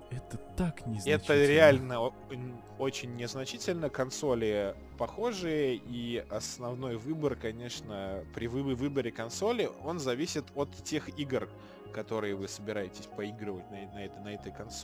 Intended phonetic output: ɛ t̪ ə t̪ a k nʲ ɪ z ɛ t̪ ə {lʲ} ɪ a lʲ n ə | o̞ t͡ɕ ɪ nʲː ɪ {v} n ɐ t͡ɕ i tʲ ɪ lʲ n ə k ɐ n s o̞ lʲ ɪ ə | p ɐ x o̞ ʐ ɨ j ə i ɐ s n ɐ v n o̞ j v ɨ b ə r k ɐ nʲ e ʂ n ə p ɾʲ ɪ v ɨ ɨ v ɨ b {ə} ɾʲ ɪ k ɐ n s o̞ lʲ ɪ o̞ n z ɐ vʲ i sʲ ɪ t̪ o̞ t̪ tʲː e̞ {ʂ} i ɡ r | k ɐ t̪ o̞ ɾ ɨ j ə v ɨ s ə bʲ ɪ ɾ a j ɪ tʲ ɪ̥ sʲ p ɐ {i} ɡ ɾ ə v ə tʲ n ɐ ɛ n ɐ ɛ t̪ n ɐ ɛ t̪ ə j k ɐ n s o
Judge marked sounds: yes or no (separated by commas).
no, no, yes, no, yes